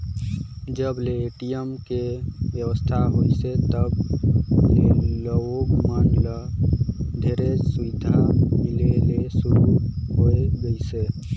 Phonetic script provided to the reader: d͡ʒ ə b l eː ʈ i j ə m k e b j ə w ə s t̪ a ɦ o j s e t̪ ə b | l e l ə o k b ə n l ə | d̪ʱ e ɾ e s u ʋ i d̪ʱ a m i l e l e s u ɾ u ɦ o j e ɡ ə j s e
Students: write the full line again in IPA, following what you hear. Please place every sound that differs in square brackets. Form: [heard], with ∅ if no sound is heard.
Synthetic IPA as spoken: d͡ʒ ə b l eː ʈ i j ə m k e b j ə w ə s [t̪ʰ] a ɦ o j s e t̪ ə b | l e l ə o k [m] ə n l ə | d̪ʱ e ɾ e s u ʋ i d̪ʱ a m i l e l e s u ɾ u ɦ o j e ɡ ə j s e